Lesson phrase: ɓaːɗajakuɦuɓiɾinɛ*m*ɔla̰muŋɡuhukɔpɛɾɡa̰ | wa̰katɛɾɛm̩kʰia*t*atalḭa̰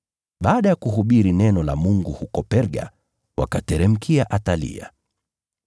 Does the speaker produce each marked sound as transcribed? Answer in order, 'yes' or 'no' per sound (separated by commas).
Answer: no, no